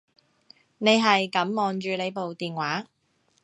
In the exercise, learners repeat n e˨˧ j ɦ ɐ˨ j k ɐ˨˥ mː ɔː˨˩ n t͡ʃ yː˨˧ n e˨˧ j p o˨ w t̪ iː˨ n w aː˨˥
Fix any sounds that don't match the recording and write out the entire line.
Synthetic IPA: n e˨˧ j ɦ ɐ˨ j k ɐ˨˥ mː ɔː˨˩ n t͡ʃ yː˨˧ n e˨˧ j p o˨ w t̪ iː˨ n w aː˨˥